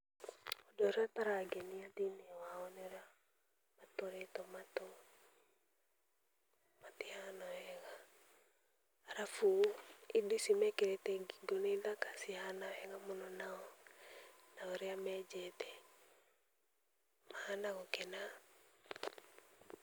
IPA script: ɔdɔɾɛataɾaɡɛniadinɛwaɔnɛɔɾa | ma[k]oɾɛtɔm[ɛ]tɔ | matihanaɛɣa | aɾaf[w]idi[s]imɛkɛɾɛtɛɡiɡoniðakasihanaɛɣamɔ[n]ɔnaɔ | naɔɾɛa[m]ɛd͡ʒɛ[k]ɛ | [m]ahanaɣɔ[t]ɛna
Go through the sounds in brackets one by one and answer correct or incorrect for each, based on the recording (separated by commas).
incorrect, incorrect, incorrect, correct, correct, correct, incorrect, correct, incorrect